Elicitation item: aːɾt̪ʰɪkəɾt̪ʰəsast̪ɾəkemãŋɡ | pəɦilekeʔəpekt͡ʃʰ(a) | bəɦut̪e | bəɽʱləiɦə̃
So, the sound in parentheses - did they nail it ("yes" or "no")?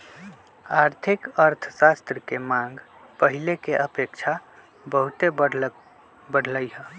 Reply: yes